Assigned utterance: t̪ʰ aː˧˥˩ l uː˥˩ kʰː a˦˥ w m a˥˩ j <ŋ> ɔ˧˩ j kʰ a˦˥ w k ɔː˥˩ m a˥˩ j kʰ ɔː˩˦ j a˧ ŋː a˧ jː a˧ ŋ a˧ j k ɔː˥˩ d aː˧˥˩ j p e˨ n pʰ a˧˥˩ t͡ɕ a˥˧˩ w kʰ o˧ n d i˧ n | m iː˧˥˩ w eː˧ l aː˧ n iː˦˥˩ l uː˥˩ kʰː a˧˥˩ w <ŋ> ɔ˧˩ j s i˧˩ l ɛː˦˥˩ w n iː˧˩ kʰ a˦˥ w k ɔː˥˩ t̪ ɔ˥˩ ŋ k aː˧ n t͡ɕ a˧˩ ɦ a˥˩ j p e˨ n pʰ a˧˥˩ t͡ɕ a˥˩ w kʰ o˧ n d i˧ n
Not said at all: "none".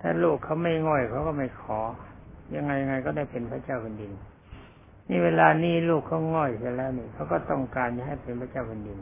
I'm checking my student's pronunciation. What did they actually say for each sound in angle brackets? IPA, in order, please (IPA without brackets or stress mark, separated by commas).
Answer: ŋ, ŋ